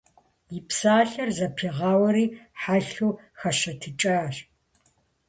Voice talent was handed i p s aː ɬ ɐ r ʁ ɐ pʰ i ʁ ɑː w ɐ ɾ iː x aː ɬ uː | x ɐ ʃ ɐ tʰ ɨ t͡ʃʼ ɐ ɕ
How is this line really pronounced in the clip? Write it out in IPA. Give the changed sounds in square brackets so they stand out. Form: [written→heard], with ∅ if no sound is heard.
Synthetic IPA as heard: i p s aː ɬ ɐ r [ʁ→z] ɐ pʰ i ʁ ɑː w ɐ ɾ iː [x→ħ] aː ɬ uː | x ɐ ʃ ɐ tʰ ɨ t͡ʃʼ ɐ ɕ